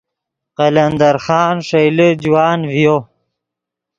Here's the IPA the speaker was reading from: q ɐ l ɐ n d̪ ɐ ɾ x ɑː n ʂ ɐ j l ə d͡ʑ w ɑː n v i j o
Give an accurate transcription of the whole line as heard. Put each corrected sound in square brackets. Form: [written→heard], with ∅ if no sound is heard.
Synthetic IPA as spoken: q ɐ l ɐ n d̪ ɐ ɾ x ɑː n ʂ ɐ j l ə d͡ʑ w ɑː n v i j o